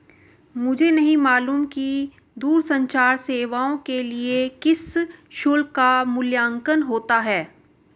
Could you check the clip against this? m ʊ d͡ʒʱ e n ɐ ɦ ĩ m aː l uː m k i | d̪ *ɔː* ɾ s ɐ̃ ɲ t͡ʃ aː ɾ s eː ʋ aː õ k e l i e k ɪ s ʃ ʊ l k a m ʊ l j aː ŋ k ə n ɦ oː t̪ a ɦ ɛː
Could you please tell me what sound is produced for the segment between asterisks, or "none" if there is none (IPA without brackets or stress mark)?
uː